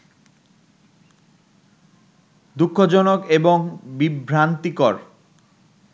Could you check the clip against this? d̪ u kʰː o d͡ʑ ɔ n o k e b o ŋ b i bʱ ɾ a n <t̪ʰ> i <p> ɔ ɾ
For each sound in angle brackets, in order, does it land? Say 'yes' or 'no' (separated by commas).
no, no